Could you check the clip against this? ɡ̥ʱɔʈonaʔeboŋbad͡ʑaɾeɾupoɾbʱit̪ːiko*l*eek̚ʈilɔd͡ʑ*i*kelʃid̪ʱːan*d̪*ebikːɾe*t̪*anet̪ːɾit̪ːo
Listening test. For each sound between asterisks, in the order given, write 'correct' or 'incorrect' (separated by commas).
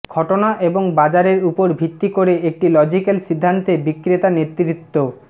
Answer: incorrect, correct, incorrect, correct